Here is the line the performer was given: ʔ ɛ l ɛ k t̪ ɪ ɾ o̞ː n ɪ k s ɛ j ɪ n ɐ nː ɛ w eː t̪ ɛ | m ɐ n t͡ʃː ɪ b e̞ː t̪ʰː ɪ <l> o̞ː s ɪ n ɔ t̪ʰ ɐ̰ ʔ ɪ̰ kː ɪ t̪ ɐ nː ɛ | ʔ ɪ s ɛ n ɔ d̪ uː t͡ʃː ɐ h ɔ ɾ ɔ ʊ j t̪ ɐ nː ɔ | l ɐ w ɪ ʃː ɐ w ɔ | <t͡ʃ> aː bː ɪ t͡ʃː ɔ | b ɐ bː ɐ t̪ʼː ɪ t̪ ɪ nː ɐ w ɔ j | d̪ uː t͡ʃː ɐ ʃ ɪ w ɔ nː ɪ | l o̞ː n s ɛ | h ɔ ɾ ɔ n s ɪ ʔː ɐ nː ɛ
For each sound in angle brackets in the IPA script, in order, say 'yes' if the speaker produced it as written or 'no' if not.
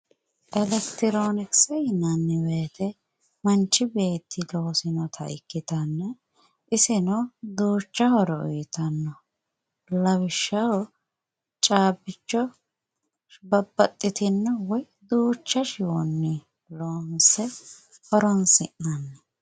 yes, no

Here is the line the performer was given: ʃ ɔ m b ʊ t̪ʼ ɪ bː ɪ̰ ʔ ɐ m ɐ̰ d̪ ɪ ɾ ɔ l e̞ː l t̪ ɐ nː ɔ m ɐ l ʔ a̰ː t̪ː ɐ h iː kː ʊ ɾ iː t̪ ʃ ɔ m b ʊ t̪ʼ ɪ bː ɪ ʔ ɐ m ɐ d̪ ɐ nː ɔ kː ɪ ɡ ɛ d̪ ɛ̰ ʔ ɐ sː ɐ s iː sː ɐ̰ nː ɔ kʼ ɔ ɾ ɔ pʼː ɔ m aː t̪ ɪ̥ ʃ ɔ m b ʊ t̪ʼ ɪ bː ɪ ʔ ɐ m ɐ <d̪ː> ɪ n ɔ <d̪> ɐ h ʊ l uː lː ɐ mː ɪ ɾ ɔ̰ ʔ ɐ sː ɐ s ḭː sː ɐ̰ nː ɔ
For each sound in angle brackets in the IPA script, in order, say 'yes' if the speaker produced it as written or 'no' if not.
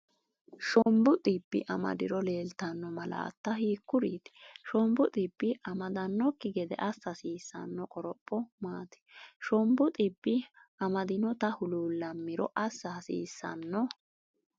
no, no

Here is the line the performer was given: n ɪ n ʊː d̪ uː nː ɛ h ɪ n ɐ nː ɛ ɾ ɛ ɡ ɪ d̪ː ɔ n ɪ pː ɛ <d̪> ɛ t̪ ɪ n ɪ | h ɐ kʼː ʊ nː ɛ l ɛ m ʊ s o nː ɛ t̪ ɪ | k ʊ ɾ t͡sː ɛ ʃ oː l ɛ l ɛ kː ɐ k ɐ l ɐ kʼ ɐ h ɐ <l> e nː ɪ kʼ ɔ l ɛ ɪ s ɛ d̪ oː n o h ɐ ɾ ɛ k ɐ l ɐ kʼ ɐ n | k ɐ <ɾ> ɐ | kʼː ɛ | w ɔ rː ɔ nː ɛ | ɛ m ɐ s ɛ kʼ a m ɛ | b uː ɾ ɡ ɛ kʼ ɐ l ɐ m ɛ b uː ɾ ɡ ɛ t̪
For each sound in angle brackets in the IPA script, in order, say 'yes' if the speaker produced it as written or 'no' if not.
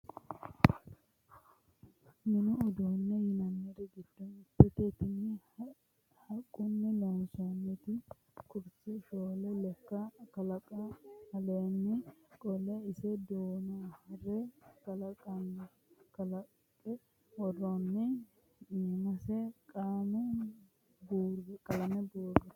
no, yes, no

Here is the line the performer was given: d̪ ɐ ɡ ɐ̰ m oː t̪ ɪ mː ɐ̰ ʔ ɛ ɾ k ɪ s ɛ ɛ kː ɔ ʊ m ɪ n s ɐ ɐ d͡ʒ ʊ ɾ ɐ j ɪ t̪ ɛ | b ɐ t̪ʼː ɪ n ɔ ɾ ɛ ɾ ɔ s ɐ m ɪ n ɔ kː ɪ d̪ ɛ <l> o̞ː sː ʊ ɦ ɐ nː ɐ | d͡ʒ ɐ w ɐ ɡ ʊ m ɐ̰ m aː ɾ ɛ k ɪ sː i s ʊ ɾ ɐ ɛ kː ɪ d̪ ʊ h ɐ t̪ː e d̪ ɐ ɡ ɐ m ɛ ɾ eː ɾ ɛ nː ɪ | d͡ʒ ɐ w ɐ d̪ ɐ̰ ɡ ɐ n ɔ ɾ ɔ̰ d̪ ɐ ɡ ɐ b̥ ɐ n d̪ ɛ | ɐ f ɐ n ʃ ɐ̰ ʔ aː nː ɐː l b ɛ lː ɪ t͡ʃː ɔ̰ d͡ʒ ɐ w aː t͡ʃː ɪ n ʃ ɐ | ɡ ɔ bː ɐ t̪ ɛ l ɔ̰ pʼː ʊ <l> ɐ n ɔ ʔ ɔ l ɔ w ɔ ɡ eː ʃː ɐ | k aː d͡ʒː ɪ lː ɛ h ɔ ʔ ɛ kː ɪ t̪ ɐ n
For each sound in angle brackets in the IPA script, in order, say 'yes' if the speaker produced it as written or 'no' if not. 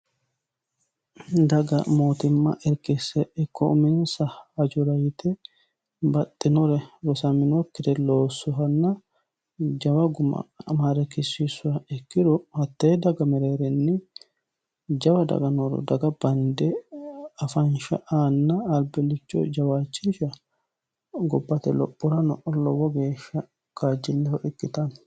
yes, no

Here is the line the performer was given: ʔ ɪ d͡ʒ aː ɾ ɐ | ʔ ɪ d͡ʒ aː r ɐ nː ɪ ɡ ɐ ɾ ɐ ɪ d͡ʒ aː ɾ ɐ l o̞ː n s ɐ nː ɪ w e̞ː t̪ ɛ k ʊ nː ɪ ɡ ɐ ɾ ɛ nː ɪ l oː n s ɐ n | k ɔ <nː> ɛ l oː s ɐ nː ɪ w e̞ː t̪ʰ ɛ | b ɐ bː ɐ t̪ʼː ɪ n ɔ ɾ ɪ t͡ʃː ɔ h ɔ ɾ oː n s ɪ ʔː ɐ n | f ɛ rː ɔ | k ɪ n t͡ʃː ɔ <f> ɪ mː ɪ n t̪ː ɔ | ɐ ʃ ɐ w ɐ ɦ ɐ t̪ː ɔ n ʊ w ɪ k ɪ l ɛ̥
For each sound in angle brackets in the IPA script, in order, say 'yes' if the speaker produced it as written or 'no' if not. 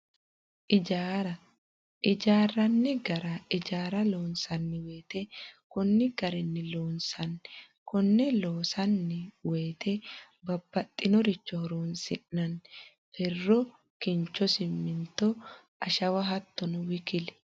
yes, no

